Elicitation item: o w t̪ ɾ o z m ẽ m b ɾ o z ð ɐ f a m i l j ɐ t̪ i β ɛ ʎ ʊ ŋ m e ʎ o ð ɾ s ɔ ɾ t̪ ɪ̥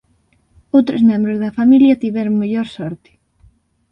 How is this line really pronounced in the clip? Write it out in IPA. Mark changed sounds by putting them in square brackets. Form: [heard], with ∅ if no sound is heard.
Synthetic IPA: o w t̪ ɾ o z m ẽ m b ɾ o z ð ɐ f a m i l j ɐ t̪ i β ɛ [ɾ] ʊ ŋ m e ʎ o [∅] ɾ s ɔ ɾ t̪ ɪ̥